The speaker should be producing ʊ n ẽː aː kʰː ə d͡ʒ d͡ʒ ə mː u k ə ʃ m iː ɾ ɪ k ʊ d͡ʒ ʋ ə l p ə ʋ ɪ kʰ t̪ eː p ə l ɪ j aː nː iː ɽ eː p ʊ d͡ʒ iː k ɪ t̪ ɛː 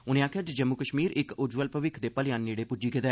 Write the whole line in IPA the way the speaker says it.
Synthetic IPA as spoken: ʊ n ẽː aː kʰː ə d͡ʒ d͡ʒ ə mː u k ə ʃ m iː ɾ ɪ k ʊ d͡ʒ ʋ ə l p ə ʋ ɪ kʰ d̪ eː p ə l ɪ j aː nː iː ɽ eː p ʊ d͡ʒ iː k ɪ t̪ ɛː

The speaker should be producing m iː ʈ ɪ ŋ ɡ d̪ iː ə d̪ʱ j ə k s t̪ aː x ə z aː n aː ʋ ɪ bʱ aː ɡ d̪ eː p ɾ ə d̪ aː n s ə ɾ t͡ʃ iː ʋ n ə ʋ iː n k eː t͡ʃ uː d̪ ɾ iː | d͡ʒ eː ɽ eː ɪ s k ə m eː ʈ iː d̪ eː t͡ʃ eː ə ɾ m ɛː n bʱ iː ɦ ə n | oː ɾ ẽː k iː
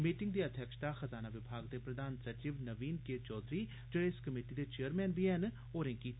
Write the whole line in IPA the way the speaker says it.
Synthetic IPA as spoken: m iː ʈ ɪ ŋ ɡ d̪ iː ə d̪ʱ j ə k ʃ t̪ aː x ə z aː n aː ʋ ɪ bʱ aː ɡ d̪ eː p ɾ ə d̪ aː n s ə ɾ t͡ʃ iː ʋ n ə ʋ iː n k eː t͡ʃ ɔː d̪ ɾ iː | d͡ʒ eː ɽ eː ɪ s k ə m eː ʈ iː d̪ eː t͡ʃ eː ə ɾ m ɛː n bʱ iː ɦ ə n | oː ɾ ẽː k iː

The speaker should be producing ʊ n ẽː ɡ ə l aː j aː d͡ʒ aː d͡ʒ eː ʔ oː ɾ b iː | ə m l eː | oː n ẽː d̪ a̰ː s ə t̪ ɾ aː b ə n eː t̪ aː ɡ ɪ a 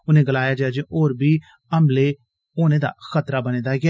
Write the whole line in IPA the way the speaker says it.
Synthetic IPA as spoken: ʊ n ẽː ɡ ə l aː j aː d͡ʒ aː d͡ʒ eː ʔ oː ɾ b iː | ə m l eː | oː n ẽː d̪ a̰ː x ə t̪ ɾ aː b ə n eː d̪ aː ɡ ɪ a

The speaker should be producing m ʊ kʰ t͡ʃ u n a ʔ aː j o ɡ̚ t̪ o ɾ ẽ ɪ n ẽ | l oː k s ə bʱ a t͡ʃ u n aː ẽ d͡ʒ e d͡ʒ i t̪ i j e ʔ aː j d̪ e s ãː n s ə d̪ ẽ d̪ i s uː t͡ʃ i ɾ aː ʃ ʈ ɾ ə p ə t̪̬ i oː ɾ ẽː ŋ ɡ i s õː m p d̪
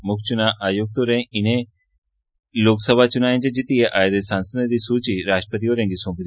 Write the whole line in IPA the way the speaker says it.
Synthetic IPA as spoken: m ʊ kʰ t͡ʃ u n a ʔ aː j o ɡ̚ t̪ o ɾ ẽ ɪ n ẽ | l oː k s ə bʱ a t͡ʃ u n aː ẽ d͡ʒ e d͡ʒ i t̪ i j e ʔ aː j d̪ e s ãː n s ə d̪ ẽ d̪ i s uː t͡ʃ i ɾ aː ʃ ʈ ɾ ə p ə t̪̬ i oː ɾ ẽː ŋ ɡ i s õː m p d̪

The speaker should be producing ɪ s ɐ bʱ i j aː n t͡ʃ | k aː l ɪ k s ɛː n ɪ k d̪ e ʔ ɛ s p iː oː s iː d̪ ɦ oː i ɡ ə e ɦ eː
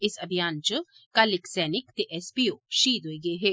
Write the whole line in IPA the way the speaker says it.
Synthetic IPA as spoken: ɪ s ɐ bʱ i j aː n t͡ʃ | k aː l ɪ k s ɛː n ɪ k t̪ e ʔ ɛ s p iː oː ʃ iː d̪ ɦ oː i ɡ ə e ɦ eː

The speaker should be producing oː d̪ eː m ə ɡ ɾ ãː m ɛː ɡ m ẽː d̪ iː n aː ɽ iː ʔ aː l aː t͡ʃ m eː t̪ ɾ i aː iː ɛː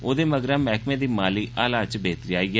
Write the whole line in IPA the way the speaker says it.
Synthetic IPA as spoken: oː d̪ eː m ə ɡ ɾ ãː m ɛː k m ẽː d̪ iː m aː l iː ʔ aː l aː t͡ʃ b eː t̪ ɾ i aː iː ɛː

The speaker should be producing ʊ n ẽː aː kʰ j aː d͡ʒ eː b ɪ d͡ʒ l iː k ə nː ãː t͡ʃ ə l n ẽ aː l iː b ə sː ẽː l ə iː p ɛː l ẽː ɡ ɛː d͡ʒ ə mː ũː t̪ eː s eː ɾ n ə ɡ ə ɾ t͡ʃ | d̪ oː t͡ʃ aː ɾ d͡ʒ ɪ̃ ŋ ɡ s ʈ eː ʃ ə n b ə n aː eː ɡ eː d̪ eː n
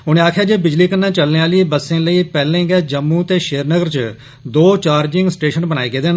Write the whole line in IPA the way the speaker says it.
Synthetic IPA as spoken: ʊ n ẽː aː kʰ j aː d͡ʒ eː b ɪ d͡ʒ l iː k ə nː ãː t͡ʃ ə l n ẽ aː l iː b ə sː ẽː l ə iː p ɛː l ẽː ɡ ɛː d͡ʒ ə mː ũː t̪ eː ʃ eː ɾ n ə ɡ ə ɾ t͡ʃ | d̪ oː t͡ʃ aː ɾ d͡ʒ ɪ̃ ŋ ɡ s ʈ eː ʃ ə n b ə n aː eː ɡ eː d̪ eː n

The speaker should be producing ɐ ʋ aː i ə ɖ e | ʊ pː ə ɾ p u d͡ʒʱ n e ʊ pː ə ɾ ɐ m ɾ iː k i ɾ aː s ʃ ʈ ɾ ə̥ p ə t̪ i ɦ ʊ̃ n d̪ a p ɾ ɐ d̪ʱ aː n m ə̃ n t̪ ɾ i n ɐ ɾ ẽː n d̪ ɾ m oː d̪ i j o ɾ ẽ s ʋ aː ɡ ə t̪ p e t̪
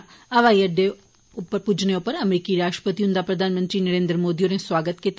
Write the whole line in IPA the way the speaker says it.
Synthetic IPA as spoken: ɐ ʋ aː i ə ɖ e | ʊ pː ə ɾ p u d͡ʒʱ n e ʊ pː ə ɾ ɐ m ɾ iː k i ɾ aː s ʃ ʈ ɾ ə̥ p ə t̪ i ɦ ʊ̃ n d̪ a p ɾ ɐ d̪ʱ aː n m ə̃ n t̪ ɾ i n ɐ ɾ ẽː n d̪ ɾ m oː d̪ i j o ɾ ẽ s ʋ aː ɡ ə t̪ k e t̪

